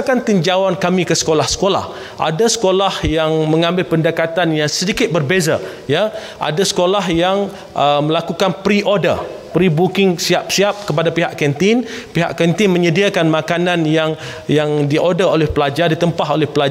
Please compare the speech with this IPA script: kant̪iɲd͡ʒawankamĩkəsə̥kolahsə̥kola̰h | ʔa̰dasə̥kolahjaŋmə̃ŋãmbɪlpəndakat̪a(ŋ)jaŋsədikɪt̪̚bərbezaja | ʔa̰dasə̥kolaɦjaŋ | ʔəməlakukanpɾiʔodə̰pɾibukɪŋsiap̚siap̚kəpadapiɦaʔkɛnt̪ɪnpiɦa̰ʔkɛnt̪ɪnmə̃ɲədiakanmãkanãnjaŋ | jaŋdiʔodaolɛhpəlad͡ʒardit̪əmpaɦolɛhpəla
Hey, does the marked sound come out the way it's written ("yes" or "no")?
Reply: no